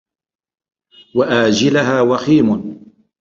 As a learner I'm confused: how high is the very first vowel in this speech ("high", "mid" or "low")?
low